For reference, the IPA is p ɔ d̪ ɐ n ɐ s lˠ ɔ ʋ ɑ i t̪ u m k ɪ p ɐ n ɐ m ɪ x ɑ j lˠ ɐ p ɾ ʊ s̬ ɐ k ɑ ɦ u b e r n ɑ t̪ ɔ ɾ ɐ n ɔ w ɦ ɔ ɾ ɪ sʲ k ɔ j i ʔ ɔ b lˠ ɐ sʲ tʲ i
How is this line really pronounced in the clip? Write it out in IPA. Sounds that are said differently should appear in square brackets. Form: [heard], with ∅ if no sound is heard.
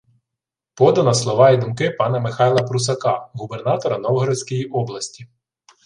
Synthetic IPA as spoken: p ɔ d̪ ɐ n ɐ s lˠ ɔ ʋ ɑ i [d̪] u m k ɪ p [ɑ] n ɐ m ɪ x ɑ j lˠ ɐ p ɾ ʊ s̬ ɐ k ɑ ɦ u b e r n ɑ t̪ ɔ ɾ ɐ n ɔ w ɦ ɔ ɾ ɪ sʲ k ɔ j i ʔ ɔ b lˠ ɐ sʲ tʲ i